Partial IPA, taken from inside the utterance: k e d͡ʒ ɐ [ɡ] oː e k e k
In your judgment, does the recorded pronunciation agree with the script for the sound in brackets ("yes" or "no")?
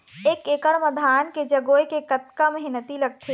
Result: yes